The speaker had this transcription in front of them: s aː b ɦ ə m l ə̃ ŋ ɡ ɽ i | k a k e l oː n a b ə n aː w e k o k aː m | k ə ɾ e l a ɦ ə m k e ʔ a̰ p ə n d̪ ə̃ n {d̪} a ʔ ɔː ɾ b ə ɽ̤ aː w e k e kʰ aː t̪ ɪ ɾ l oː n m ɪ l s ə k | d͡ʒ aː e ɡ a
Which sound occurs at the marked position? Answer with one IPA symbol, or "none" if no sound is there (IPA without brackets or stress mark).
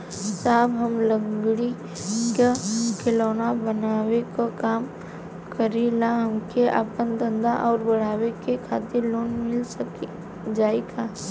d̪